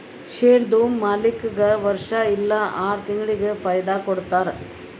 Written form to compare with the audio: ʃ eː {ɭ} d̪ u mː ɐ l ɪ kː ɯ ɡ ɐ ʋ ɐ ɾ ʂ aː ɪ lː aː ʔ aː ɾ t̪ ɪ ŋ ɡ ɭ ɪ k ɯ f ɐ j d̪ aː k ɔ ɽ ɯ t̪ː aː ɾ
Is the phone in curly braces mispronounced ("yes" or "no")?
yes